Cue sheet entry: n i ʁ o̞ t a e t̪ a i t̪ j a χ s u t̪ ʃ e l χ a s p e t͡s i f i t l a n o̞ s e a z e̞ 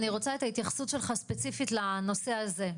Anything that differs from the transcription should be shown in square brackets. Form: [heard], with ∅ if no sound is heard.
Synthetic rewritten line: n i ʁ o̞ [t͡s] a e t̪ a i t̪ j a χ s u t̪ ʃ e l χ a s p e t͡s i f i t l a n o̞ s e a z e̞